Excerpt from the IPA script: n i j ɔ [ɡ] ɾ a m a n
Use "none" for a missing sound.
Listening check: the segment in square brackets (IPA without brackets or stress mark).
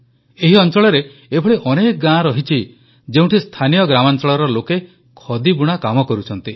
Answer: ɡ